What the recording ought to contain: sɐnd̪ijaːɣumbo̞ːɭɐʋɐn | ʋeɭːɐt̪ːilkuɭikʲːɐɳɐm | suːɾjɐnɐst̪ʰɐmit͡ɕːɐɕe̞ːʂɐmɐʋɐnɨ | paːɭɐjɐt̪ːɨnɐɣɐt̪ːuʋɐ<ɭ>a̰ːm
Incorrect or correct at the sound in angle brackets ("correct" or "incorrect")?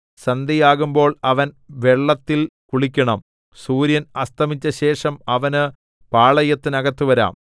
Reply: incorrect